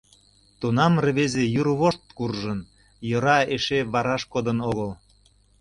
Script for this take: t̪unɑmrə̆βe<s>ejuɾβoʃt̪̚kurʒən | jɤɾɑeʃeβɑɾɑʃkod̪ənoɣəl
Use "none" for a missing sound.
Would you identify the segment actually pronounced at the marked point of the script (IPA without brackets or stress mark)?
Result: z